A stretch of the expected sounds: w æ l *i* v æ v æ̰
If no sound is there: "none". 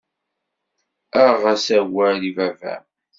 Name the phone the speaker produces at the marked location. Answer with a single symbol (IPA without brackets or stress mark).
i